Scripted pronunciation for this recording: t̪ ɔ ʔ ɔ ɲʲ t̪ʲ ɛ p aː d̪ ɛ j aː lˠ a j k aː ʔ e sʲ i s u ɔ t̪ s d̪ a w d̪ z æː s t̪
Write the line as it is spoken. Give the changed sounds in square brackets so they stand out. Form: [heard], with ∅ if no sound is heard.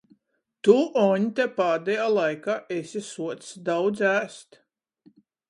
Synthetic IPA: t̪ [u] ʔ ɔ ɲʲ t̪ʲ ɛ p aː d̪ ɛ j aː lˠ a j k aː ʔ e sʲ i s u ɔ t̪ s d̪ a w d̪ z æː s t̪